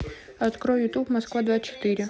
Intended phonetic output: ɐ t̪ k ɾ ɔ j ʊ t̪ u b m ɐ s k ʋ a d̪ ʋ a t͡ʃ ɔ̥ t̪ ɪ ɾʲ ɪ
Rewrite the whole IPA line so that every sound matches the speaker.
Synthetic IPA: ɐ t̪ k ɾ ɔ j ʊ t̪ u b m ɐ s k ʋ a d̪ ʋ a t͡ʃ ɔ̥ t̪ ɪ ɾʲ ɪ

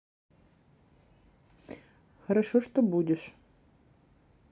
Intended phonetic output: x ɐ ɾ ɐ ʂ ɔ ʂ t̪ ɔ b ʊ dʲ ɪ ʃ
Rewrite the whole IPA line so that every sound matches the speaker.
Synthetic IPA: x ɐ ɾ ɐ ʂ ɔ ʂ t̪ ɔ b u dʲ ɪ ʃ

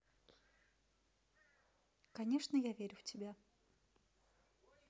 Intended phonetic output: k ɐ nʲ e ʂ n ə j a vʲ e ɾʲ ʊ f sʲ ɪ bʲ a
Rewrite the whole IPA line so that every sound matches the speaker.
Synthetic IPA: k ɐ nʲ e ʂ n ə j a vʲ e ɾʲ ʊ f tʲ ɪ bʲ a

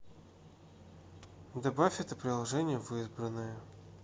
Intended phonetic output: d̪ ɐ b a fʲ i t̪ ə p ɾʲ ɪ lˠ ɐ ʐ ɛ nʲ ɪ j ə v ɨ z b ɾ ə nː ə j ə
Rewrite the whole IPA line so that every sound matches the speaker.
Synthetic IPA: d̪ ɐ b a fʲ ɛ t̪ ə p ɾʲ ɪ lˠ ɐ ʐ ɛ nʲ ɪ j ə v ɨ z b ɾ ə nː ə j ə

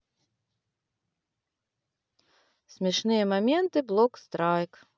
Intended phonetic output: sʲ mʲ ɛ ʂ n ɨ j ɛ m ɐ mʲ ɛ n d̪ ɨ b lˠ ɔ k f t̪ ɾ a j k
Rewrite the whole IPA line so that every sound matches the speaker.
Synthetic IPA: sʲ mʲ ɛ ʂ n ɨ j ɛ m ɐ mʲ ɛ n t̪ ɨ b lˠ ɔ k s t̪ ɾ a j k

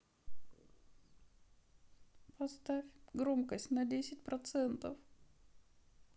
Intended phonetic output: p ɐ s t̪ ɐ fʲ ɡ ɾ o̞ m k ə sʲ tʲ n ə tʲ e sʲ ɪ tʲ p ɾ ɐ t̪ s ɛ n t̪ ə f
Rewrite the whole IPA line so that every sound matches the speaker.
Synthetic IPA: p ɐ s t̪ a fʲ ɡ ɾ o̞ m k ə sʲ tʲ n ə dʲ e sʲ ɪ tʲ p ɾ ɐ t̪ s ɛ n t̪ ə f

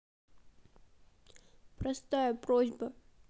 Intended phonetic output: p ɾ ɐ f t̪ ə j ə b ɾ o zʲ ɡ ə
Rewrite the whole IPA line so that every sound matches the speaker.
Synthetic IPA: p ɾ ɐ s t̪ a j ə p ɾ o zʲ b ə

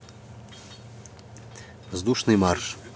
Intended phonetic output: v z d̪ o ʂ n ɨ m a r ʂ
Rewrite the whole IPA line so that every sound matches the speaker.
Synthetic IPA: v z d̪ u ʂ n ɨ m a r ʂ

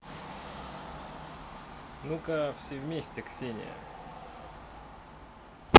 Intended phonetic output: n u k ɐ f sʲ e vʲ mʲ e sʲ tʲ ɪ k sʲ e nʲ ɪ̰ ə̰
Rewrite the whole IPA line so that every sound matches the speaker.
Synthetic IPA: n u k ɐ f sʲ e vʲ mʲ e sʲ tʲ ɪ k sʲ e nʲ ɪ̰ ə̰

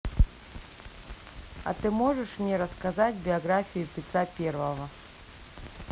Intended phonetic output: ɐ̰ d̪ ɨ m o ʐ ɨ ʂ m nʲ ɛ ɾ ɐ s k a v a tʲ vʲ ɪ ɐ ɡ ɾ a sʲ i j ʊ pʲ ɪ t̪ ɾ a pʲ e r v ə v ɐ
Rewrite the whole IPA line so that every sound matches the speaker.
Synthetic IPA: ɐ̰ t̪ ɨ m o ʐ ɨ ʂ m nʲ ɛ ɾ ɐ s k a z a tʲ bʲ ɪ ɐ ɡ ɾ a fʲ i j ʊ pʲ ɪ t̪ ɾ a pʲ e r v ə v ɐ

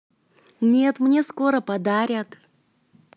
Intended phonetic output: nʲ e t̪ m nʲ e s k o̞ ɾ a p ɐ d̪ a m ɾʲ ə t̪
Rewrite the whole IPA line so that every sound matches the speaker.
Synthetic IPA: nʲ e t̪ m nʲ e s k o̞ ɾ ə p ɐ d̪ a ɾʲ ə t̪

